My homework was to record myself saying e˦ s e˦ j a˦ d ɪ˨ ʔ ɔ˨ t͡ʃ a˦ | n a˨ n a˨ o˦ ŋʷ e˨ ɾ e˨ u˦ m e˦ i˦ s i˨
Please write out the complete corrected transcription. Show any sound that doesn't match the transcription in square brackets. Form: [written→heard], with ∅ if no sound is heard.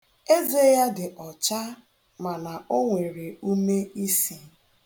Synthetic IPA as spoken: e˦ [s→z] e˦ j a˦ d ɪ˨ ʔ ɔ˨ t͡ʃ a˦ | [n→m] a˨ n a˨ o˦ ŋʷ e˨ ɾ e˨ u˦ m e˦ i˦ s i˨